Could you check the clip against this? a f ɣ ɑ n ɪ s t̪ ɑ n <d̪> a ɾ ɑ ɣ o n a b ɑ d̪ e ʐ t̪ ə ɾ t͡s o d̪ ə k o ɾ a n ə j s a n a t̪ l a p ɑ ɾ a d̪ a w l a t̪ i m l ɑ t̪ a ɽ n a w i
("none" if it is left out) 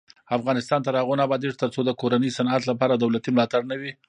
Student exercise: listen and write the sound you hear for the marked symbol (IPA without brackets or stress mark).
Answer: t̪